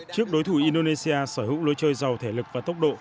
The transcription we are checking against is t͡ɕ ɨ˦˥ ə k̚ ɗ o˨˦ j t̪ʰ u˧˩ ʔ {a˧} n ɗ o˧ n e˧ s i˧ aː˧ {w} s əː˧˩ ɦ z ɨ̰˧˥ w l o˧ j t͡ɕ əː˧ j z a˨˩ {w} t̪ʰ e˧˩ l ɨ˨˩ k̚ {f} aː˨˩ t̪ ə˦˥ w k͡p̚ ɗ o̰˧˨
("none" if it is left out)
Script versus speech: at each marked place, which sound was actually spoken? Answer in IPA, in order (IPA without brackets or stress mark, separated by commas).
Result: i˧, none, w, v